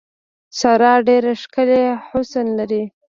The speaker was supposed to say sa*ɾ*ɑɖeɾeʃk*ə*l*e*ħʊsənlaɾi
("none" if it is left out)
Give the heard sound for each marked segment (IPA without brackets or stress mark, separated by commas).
ɾ, ə, e